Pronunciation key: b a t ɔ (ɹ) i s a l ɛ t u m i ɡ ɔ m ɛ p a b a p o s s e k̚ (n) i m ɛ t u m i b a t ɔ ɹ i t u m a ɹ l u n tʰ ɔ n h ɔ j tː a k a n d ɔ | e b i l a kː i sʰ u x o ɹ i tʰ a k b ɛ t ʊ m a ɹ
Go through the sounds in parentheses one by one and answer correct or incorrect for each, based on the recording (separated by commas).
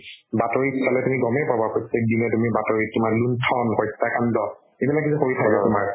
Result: correct, incorrect